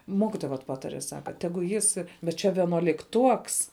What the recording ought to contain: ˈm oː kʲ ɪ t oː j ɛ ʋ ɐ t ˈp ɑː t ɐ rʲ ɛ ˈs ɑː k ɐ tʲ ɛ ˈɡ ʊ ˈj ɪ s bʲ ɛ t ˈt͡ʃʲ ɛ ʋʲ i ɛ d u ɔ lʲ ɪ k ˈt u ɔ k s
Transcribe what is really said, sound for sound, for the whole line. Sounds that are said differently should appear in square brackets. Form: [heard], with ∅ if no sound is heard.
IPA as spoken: ˈm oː kʲ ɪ t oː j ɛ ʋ ɐ t ˈp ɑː t ɐ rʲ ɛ ˈs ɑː k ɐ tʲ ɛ ˈɡ ʊ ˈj ɪ s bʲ ɛ t ˈt͡ʃʲ ɛ ʋʲ i ɛ [n] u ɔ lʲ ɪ k ˈt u ɔ k s

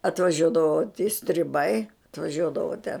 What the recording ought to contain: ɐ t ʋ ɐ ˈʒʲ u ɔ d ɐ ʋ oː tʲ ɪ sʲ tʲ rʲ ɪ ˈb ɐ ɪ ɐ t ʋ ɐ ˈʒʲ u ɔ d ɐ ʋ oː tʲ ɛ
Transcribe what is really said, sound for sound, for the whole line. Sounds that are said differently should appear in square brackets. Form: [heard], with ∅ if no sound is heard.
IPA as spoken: ɐ t ʋ ɐ ˈʒʲ u ɔ d ɐ ʋ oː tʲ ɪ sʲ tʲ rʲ ɪ ˈb ɐ ɪ ɐ t ʋ ɐ ˈʒʲ u ɔ d ɐ ʋ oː tʲ ɛ

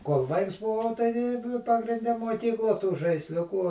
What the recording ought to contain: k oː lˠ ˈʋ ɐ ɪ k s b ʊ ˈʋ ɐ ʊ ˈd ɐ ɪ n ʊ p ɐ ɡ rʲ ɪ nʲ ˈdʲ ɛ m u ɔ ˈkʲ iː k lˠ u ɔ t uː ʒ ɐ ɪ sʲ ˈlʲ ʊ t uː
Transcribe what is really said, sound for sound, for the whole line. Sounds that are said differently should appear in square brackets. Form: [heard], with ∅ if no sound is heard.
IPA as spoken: k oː lˠ ˈʋ ɐ ɪ k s b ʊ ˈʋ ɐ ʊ [ˈt] ɐ ɪ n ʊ p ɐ ɡ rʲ ɪ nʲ ˈdʲ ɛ m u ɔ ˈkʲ iː k lˠ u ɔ t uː ʒ ɐ ɪ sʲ ˈlʲ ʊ [k] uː

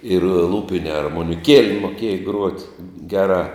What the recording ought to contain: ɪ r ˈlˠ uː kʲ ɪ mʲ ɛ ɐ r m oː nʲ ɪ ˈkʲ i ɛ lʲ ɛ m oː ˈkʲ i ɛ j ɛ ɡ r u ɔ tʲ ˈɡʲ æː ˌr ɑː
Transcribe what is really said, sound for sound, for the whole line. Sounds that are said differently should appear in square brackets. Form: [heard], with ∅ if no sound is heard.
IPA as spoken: ɪ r ˈlˠ uː [pʲ] ɪ [nʲ] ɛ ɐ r m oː nʲ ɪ ˈkʲ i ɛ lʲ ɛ m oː ˈkʲ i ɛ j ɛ ɡ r u ɔ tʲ ˈɡʲ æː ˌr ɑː

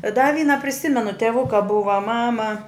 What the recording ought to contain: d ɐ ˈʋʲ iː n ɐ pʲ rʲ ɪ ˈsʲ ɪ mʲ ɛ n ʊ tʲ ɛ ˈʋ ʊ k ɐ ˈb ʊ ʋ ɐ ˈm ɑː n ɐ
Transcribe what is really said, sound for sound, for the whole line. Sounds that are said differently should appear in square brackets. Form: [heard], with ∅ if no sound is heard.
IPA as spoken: d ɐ ˈʋʲ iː n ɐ pʲ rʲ ɪ ˈsʲ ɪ mʲ ɛ n ʊ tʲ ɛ ˈʋ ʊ k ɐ ˈb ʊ ʋ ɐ ˈm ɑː [m] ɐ

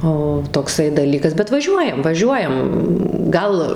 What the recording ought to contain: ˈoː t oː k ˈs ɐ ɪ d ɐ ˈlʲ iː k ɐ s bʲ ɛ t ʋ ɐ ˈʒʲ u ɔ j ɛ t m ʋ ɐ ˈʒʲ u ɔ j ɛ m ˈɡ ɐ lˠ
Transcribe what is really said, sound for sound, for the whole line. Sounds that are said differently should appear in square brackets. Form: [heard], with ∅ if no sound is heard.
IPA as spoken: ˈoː t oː k ˈs ɐ ɪ d ɐ ˈlʲ iː k ɐ s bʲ ɛ t ʋ ɐ ˈʒʲ u ɔ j ɛ [∅] m ʋ ɐ ˈʒʲ u ɔ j ɛ m ˈɡ ɐ lˠ

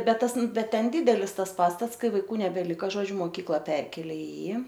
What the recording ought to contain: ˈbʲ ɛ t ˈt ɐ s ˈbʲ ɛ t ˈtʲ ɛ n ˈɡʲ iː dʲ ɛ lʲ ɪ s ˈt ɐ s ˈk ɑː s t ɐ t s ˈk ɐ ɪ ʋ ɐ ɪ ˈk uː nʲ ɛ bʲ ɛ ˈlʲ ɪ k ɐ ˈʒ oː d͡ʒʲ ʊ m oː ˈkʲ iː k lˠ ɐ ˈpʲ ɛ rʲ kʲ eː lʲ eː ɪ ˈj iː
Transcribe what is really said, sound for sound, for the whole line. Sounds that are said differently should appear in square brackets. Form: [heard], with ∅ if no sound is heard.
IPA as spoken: ˈbʲ ɛ t ˈt ɐ s ˈbʲ ɛ t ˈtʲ ɛ n [ˈdʲ] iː dʲ ɛ lʲ ɪ s ˈt ɐ s [ˈp] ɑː s t ɐ t s ˈk ɐ ɪ ʋ ɐ ɪ ˈk uː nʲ ɛ bʲ ɛ ˈlʲ ɪ k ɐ ˈʒ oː d͡ʒʲ ʊ m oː ˈkʲ iː k lˠ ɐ ˈpʲ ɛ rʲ kʲ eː lʲ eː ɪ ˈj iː

